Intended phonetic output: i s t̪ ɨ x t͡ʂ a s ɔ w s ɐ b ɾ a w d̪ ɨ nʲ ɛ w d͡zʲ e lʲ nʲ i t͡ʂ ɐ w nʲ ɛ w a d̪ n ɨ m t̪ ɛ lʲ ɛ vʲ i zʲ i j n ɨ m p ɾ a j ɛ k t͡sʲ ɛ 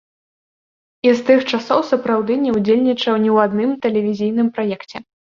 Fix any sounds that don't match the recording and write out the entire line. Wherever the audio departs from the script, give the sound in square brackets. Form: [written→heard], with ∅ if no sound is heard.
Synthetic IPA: i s t̪ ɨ x t͡ʂ a s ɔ w s ɐ [b→p] ɾ a w d̪ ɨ nʲ ɛ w d͡zʲ e lʲ nʲ i t͡ʂ ɐ w nʲ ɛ w a d̪ n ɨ m t̪ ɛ lʲ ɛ vʲ i zʲ i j n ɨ m p ɾ a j ɛ k t͡sʲ ɛ